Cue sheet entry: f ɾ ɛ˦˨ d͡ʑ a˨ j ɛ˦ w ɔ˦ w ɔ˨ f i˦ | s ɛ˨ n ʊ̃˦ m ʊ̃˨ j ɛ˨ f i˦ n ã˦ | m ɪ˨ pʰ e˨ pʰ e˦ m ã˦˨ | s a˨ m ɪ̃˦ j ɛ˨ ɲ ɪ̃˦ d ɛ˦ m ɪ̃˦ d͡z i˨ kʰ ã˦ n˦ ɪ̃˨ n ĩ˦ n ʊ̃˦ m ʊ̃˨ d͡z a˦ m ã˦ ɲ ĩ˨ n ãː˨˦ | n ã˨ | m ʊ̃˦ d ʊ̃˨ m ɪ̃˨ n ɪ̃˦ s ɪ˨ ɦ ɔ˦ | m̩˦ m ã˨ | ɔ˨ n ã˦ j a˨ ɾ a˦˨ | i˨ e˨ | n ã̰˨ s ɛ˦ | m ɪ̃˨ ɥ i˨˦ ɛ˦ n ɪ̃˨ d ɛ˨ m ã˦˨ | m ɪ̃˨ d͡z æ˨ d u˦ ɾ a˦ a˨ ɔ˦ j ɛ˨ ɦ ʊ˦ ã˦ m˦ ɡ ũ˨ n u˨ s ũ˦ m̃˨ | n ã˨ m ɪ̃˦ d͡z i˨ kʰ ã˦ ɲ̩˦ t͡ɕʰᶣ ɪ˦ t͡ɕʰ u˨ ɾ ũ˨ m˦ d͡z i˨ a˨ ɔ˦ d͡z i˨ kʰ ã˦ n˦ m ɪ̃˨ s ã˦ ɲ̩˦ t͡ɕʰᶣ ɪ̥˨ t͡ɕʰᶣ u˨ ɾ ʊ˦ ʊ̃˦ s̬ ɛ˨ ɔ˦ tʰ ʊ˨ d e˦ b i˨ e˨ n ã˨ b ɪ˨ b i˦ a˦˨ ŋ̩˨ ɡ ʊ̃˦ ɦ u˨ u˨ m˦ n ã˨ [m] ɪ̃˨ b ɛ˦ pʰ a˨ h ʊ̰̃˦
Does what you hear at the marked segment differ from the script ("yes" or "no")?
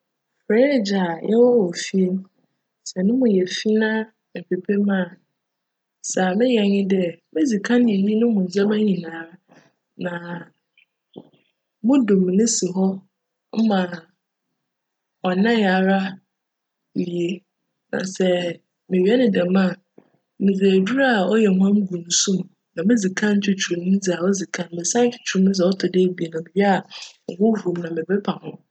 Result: no